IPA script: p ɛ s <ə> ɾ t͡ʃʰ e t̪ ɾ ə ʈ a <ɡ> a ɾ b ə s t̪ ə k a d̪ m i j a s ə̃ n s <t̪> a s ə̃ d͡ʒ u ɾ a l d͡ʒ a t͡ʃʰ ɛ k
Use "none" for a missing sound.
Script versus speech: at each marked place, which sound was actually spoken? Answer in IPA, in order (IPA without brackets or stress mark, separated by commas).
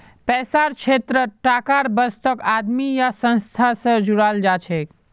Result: a, k, t̪ʰ